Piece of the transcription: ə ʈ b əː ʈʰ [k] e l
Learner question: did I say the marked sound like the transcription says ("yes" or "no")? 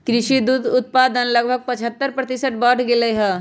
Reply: no